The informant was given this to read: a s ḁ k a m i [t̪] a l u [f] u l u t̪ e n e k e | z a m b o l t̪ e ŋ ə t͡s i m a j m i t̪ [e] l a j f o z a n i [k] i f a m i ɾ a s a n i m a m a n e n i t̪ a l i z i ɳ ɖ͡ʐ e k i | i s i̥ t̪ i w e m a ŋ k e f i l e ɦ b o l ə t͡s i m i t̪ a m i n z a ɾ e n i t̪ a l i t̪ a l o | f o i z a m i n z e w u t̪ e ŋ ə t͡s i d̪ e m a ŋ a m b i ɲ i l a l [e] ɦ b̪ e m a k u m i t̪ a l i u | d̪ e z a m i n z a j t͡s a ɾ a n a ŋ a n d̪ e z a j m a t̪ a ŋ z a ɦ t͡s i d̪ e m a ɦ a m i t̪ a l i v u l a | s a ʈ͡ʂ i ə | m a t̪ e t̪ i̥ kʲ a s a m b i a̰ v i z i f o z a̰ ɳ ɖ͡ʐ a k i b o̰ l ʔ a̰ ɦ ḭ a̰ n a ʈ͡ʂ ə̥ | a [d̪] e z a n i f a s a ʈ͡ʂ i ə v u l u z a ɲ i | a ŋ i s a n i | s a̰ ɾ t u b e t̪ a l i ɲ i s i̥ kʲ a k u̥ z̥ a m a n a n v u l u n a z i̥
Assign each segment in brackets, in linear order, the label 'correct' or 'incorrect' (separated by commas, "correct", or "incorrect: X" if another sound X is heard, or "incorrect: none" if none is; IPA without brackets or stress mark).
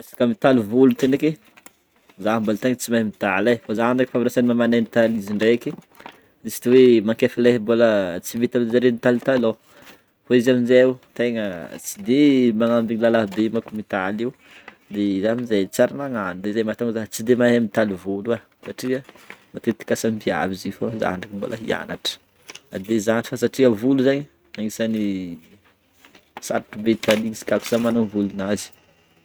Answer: correct, incorrect: v, incorrect: a, correct, incorrect: a, correct